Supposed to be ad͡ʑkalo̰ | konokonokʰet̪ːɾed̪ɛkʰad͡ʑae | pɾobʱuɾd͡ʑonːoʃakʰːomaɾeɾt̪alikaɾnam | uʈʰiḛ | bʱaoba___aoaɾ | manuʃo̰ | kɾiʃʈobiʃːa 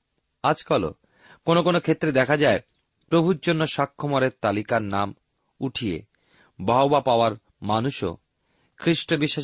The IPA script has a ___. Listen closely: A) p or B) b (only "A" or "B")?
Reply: A